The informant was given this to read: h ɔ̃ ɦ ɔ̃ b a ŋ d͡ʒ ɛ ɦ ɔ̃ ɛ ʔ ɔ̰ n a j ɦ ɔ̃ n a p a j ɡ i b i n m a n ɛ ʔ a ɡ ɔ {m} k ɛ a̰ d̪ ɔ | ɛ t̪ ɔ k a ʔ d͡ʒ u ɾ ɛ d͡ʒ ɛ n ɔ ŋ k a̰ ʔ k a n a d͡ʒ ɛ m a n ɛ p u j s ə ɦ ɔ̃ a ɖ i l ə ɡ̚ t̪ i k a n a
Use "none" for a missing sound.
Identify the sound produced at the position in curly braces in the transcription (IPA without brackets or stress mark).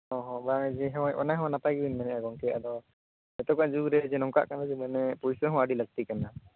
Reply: ŋ